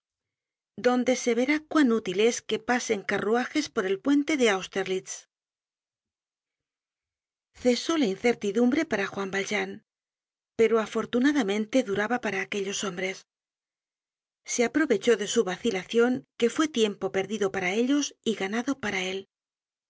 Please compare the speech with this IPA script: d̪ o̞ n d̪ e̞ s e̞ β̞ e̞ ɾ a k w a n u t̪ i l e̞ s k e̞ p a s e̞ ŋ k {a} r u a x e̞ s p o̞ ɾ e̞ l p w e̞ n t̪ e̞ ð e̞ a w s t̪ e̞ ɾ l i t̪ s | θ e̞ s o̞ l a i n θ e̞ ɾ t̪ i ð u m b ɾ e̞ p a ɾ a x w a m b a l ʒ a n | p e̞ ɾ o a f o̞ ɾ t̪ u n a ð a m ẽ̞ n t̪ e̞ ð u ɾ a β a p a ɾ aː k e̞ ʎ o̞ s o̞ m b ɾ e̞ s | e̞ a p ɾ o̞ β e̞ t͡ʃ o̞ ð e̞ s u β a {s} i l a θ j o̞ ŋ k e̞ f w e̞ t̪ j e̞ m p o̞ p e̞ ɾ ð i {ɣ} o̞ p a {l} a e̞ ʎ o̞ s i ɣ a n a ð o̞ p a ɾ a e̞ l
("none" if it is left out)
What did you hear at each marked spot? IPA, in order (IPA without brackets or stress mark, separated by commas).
a, θ, ð, ɾ